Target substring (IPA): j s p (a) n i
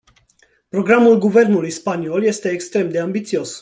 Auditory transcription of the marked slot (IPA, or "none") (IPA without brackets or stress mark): a